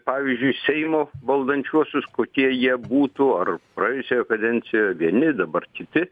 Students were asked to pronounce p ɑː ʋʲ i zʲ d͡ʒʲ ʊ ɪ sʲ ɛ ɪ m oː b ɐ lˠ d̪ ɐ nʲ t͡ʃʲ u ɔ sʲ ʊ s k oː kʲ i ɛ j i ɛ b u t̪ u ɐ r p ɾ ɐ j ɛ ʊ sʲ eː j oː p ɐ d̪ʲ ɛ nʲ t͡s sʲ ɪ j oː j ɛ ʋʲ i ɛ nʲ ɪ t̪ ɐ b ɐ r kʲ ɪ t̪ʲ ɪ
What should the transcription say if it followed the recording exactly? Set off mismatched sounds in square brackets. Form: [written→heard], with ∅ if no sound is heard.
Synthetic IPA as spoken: p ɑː ʋʲ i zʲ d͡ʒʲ ʊ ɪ sʲ ɛ ɪ m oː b ɐ lˠ d̪ ɐ nʲ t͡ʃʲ u ɔ sʲ ʊ s k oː kʲ i ɛ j i ɛ b [u→uː] t̪ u ɐ r p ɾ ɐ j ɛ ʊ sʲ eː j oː [p→k] ɐ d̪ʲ ɛ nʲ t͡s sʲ ɪ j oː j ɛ ʋʲ i ɛ nʲ ɪ [t̪→d̪] ɐ b ɐ r kʲ ɪ t̪ʲ ɪ